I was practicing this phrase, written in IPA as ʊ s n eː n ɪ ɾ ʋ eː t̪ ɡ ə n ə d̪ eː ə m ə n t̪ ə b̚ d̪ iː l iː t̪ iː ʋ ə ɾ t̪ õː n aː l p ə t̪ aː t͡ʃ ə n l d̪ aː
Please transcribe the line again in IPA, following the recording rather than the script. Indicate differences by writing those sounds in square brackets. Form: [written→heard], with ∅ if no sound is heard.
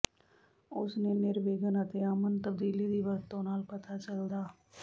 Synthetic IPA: ʊ s n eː n ɪ ɾ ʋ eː [t̪→∅] ɡ ə n ə [d̪→t̪] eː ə m ə n t̪ ə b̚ d̪ iː l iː [t̪→d̪] iː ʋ ə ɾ t̪ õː n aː l p ə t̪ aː t͡ʃ ə [n→∅] l d̪ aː